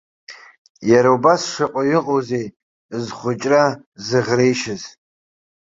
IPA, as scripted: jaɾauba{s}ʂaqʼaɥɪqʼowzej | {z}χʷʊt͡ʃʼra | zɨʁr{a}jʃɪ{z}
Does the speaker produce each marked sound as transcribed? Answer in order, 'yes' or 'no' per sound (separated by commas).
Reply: yes, yes, no, yes